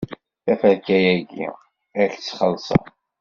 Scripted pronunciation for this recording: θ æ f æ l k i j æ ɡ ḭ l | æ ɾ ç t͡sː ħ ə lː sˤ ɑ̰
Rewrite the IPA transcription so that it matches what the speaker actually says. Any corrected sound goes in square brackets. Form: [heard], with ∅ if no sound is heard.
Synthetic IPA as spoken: θ æ f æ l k [æ] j æ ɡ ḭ [∅] | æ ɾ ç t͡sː [χ] ə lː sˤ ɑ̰